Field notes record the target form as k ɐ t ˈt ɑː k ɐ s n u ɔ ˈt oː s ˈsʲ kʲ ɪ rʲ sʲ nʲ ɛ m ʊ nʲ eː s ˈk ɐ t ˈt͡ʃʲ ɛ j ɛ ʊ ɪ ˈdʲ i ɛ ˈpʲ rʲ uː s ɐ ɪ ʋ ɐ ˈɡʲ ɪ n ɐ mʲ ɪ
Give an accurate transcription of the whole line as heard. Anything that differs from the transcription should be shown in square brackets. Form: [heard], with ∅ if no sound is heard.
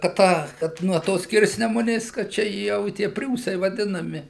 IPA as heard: k ɐ t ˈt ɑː k ɐ [t] n u ɔ ˈt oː s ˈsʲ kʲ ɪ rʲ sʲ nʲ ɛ m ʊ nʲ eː s ˈk ɐ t ˈt͡ʃʲ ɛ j ɛ ʊ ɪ [ˈtʲ] i ɛ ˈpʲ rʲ uː s ɐ ɪ ʋ ɐ [ˈdʲ] ɪ n ɐ mʲ ɪ